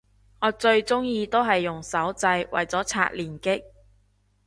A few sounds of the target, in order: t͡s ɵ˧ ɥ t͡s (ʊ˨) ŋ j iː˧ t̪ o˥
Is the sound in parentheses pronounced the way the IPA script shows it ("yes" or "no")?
no